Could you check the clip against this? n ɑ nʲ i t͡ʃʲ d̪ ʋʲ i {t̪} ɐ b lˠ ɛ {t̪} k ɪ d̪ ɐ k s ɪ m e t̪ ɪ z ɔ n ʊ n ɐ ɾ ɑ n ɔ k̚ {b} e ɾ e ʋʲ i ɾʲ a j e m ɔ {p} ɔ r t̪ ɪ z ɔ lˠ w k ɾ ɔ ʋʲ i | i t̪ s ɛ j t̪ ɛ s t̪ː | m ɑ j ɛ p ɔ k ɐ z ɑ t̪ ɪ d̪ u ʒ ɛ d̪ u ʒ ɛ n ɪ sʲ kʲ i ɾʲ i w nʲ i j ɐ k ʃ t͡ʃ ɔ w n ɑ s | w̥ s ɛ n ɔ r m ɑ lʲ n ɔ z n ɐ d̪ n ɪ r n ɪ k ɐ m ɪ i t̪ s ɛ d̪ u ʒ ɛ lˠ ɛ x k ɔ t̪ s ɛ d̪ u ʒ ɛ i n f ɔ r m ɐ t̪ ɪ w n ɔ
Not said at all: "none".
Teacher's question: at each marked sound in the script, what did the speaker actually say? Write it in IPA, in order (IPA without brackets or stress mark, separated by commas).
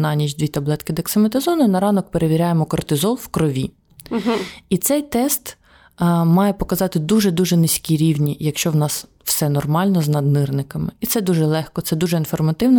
t̪, t̪, p, k